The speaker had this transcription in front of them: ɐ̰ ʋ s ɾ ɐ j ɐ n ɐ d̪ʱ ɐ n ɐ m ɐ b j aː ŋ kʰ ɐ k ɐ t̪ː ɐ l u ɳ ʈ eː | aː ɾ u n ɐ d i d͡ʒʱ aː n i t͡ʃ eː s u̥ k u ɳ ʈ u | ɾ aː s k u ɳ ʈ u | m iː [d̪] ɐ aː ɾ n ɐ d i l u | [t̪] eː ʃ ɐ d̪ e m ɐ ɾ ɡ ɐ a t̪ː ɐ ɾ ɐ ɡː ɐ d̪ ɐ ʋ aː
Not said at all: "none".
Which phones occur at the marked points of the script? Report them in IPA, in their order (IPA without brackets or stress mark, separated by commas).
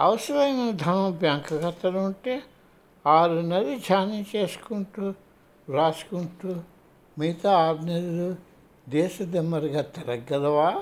t̪, d̪